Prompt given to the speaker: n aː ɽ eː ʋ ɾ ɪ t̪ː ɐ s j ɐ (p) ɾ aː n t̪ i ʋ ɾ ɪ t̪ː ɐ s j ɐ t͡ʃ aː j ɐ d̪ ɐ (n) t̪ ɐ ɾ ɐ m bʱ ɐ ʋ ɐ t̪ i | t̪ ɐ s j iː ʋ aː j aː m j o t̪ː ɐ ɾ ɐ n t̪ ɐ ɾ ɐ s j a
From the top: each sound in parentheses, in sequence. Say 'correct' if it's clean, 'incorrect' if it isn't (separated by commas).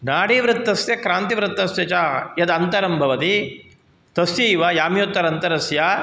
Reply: incorrect, correct